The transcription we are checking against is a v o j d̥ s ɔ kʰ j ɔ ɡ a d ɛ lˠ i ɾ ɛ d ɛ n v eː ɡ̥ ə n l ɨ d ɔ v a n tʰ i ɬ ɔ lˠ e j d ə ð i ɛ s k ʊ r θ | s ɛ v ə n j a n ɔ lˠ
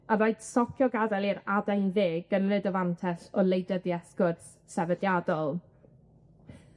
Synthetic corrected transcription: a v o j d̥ s ɔ kʰ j ɔ ɡ a d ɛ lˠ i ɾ a d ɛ n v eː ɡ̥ ə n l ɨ d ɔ v a n tʰ ɛ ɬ ɔ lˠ e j d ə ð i ɛ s k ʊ r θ | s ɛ v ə d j a d ɔ lˠ